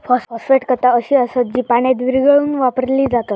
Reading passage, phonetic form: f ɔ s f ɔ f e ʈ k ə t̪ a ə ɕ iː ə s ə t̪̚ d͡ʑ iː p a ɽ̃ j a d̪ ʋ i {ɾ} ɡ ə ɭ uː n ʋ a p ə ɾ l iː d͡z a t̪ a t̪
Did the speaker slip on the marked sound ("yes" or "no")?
no